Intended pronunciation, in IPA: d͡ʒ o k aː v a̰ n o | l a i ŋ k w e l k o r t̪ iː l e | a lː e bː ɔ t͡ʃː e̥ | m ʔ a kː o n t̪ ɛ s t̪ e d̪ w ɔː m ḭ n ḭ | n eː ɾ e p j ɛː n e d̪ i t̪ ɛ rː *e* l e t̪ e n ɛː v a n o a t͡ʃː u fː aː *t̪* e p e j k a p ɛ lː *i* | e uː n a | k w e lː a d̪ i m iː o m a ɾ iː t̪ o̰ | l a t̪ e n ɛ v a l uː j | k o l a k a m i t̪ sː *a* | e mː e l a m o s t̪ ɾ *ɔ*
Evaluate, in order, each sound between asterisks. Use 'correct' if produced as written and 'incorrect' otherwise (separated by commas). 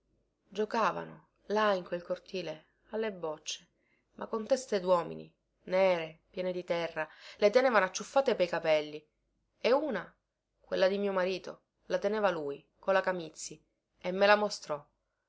incorrect, correct, correct, incorrect, correct